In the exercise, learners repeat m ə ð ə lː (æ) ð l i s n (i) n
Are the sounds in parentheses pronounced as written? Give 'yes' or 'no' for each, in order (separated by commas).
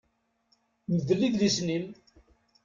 no, yes